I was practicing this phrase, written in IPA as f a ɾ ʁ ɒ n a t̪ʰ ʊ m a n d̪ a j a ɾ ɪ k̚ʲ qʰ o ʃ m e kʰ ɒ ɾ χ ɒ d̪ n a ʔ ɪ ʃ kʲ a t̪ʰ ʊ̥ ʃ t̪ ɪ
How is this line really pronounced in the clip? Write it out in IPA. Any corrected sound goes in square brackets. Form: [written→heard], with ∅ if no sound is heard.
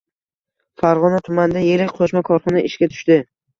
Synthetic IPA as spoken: f a ɾ ʁ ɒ n a t̪ʰ ʊ m a n d̪ a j [a→e] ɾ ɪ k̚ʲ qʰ o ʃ m [e→a] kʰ ɒ ɾ χ ɒ [d̪→∅] n a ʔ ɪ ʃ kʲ a t̪ʰ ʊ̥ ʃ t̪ ɪ